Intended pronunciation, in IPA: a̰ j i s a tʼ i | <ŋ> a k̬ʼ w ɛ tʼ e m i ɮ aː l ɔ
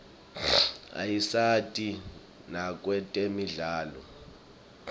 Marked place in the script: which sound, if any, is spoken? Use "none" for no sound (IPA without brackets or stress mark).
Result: n